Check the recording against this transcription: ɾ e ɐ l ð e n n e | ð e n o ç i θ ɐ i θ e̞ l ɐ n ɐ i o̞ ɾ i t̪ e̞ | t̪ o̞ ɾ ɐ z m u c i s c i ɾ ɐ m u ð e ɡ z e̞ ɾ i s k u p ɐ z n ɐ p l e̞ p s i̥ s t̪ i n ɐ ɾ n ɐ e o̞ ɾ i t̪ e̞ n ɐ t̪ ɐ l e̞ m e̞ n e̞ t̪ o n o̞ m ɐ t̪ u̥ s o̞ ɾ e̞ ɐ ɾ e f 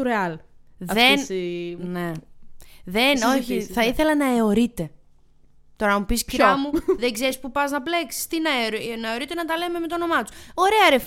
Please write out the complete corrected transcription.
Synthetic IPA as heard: ɾ e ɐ l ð e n n e | ð e n o ç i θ ɐ i θ e̞ l ɐ n ɐ e o̞ ɾ i t̪ e̞ | t̪ o̞ ɾ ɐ m u p i s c i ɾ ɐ m u ð e ɡ z e̞ ɾ i s p u p ɐ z n ɐ p l e̞ k s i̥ s t̪ i n ɐ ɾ n ɐ e o̞ ɾ i t̪ e̞ n ɐ t̪ ɐ l e̞ m e̞ m e̞ t̪ o n o̞ m ɐ t̪ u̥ s o̞ ɾ e̞ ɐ ɾ e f